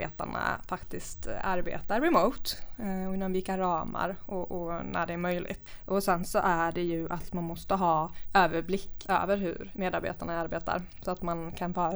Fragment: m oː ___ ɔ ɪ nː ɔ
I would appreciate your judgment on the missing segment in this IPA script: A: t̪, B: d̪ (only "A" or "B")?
A